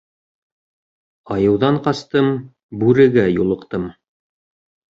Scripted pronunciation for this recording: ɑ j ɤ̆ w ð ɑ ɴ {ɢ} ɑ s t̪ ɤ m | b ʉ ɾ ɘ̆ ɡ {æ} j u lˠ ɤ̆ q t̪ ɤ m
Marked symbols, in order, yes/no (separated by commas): no, yes